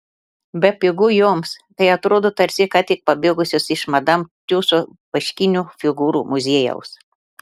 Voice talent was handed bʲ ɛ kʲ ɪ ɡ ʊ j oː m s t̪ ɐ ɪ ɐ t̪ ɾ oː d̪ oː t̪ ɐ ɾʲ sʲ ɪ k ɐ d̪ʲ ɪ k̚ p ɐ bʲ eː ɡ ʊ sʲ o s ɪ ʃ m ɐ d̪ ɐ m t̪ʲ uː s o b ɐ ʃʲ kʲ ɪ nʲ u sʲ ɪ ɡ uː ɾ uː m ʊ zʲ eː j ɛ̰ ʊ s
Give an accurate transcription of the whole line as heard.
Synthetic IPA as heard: bʲ ɛ pʲ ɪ ɡ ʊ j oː m s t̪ ɐ ɪ ɐ t̪ ɾ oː d̪ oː t̪ ɐ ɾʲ sʲ ɪ k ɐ t̪ʲ ɪ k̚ p ɐ bʲ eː ɡ ʊ sʲ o s ɪ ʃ m ɐ d̪ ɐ m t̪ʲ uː s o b ɐ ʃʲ kʲ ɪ nʲ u fʲ ɪ ɡ uː ɾ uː m ʊ zʲ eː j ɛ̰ ʊ s